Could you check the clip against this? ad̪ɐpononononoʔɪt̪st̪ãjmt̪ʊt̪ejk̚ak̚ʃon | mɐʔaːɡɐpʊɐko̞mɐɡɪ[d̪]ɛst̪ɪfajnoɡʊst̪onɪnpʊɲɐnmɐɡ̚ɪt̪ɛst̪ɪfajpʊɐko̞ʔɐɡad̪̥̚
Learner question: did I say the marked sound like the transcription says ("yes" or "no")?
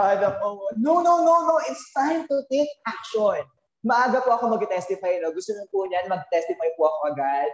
no